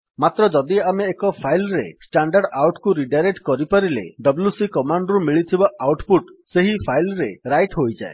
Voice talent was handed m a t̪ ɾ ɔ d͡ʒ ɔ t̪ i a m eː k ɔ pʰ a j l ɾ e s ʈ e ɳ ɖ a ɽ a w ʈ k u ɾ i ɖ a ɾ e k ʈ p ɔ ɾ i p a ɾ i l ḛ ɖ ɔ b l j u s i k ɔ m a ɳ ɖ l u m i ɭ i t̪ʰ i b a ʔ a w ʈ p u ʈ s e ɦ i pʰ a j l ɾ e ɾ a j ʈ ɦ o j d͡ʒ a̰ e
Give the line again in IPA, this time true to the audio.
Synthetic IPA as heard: m a t̪ ɾ ɔ d͡ʒ ɔ d̪ i a m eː k ɔ pʰ a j l ɾ e s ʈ a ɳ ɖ a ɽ a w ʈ k u ɾ i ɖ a ɾ e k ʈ k ɔ ɾ i p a ɾ i l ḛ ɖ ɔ b l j u s i k ɔ m a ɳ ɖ ɾ u m i ɭ i t̪ʰ i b a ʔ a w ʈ p u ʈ s e ɦ i pʰ a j l ɾ e ɾ a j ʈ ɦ o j d͡ʒ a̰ e